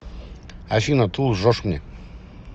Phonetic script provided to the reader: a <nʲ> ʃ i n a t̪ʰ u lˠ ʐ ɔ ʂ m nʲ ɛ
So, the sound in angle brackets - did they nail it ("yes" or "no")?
no